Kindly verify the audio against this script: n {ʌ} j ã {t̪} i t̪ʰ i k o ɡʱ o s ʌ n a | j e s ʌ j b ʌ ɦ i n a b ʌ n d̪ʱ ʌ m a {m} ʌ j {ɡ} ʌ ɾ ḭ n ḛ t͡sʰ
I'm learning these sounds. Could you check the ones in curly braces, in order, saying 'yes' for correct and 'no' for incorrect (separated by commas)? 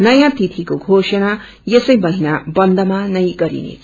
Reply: yes, yes, no, yes